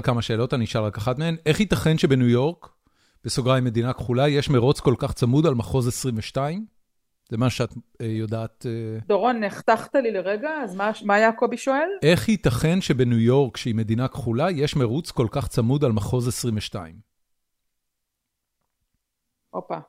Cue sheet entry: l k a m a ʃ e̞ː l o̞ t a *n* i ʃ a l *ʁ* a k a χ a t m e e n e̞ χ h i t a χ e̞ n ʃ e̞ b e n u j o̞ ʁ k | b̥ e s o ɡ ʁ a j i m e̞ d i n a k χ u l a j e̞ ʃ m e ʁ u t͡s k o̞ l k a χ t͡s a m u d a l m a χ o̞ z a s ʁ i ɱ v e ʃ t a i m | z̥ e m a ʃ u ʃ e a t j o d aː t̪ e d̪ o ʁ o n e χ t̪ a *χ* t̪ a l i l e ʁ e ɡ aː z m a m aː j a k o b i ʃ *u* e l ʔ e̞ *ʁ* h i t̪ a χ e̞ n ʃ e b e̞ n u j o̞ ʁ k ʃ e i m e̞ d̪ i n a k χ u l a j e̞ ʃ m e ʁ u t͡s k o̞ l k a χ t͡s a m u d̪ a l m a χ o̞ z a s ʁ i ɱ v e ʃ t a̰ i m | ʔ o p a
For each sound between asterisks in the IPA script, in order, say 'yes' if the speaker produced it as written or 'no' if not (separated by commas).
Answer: yes, yes, yes, no, no